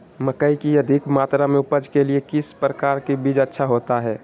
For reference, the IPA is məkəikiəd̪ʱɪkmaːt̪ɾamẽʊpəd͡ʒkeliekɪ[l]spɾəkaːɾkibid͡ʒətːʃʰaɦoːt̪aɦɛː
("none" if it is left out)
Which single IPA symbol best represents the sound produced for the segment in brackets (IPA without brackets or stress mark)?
none